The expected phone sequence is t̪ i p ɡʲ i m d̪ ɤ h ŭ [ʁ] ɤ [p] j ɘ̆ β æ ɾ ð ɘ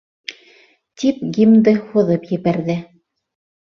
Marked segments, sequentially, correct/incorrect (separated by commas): incorrect, correct